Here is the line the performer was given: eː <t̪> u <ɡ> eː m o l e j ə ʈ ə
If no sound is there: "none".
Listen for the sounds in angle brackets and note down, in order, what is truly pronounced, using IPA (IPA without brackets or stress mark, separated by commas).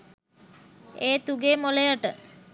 t̪, ɡ